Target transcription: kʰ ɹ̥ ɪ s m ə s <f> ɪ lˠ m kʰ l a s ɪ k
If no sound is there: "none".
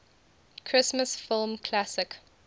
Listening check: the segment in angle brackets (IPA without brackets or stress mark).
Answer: f